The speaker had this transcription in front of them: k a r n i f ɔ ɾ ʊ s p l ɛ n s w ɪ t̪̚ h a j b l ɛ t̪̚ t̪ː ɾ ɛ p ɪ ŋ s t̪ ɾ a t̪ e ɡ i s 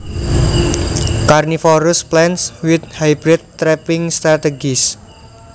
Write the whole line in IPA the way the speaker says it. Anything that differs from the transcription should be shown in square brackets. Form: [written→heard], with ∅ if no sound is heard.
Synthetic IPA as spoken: k a r n i f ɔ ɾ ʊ s p l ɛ n s w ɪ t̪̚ h a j b [l→ɾ] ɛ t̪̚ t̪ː ɾ ɛ p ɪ ŋ s t̪ ɾ a t̪ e ɡ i s